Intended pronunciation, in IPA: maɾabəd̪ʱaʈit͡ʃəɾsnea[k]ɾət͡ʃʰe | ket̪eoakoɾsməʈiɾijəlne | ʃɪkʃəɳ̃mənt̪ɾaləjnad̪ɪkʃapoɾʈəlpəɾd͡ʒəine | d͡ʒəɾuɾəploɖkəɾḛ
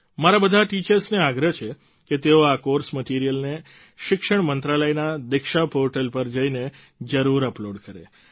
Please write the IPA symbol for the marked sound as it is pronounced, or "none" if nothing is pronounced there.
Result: ɡ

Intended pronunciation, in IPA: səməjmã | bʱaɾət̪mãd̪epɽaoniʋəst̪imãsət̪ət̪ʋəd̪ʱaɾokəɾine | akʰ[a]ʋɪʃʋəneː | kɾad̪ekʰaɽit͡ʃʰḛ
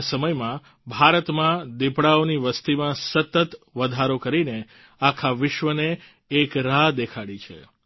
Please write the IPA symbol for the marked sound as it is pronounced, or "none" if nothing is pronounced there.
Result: a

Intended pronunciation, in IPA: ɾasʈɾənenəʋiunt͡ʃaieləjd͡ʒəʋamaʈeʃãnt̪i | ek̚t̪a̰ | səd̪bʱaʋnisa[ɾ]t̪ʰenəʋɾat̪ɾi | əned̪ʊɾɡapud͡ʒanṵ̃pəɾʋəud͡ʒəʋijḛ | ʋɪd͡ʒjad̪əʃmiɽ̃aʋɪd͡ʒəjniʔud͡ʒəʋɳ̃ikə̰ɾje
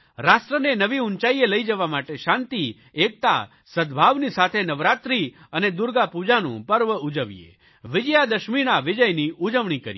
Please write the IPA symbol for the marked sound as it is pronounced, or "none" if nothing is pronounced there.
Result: none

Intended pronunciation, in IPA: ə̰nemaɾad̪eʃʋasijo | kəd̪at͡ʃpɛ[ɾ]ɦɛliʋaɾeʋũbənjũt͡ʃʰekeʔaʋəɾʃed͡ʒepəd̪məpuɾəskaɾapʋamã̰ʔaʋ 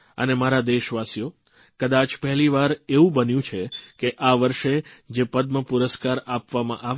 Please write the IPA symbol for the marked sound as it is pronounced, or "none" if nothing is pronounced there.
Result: none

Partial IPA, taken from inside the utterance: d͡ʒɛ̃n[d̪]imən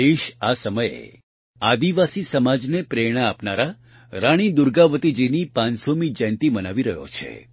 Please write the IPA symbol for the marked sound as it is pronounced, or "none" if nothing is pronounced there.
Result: t̪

